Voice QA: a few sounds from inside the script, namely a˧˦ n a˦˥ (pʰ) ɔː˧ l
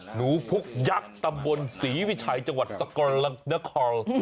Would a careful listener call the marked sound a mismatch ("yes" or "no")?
yes